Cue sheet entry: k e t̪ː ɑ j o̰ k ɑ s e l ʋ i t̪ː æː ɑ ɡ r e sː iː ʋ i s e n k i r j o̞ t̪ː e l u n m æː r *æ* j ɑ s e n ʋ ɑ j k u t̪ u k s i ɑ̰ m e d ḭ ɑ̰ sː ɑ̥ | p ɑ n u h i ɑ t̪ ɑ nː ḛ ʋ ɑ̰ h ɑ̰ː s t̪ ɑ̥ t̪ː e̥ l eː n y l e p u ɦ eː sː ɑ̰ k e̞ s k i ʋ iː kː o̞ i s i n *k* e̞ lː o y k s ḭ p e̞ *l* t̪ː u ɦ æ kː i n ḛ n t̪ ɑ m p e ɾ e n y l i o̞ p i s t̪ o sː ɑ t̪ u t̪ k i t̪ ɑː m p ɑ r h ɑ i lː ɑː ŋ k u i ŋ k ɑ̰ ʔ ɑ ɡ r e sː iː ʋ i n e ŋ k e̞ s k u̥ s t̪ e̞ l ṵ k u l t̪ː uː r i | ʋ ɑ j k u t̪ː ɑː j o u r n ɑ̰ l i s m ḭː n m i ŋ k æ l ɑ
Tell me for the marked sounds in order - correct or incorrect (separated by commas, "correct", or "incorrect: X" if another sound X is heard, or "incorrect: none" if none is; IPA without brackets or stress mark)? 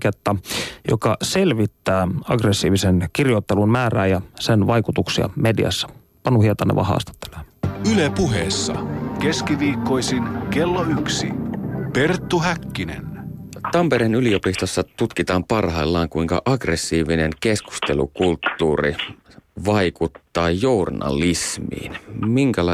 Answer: incorrect: æː, correct, incorrect: r